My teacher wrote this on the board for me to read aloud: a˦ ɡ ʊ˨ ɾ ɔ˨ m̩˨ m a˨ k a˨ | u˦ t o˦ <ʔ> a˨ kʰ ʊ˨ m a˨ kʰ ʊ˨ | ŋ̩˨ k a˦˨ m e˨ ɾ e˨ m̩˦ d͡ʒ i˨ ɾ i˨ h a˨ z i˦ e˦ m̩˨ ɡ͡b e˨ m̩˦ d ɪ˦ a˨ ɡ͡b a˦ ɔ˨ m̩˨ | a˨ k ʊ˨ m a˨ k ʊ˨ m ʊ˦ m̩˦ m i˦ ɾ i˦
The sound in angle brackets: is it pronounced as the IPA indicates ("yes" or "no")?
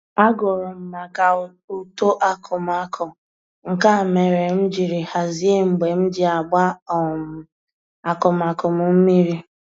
yes